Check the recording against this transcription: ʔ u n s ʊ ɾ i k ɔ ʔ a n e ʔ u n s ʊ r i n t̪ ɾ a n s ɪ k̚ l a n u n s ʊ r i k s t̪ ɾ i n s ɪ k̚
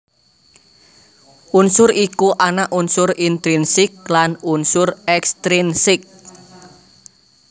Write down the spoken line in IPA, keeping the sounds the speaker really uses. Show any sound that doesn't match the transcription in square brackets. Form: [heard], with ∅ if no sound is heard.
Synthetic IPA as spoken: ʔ u n s ʊ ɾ i k [u] ʔ a n [a] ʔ u n s ʊ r i n t̪ ɾ [i] n s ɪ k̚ l a n u n s ʊ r [ɛ] k s t̪ ɾ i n s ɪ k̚

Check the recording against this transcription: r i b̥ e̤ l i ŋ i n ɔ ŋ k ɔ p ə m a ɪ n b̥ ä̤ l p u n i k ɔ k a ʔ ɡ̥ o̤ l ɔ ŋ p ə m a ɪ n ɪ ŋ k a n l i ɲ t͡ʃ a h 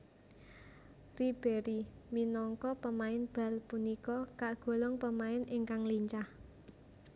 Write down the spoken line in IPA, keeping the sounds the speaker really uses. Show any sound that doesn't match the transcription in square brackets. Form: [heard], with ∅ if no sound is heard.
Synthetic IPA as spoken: r i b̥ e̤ [ɾ] i [m] i n ɔ ŋ k ɔ p ə m a ɪ n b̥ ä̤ l p u n i k ɔ k a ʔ ɡ̥ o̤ l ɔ ŋ p ə m a ɪ n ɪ ŋ k a [ŋ] l i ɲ t͡ʃ a h

